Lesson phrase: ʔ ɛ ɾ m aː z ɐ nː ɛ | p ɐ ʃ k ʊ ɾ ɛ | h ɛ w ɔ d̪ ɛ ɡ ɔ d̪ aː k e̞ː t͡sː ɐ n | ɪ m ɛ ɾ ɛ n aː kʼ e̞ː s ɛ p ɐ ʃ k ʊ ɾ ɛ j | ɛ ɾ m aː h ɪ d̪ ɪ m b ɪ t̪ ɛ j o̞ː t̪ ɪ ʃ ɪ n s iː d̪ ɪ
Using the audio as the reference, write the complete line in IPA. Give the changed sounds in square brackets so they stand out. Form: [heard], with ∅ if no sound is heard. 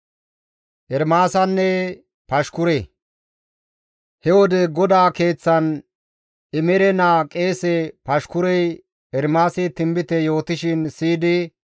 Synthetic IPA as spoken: ʔ ɛ ɾ m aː [s] ɐ nː ɛ | p ɐ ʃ k ʊ ɾ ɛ | h ɛ w ɔ d̪ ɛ ɡ ɔ d̪ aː k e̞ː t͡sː ɐ n | ɪ m ɛ ɾ ɛ n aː kʼ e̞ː s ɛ p ɐ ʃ k ʊ ɾ ɛ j | ɛ ɾ m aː [s] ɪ [t̪] ɪ m b ɪ t̪ ɛ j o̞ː t̪ ɪ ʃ ɪ n s iː d̪ ɪ